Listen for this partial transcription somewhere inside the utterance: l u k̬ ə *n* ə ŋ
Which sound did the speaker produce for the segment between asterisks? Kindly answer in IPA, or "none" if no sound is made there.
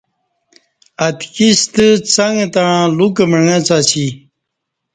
m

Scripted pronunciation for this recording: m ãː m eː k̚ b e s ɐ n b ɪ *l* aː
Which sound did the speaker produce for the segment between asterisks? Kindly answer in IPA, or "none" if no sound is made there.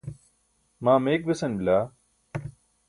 l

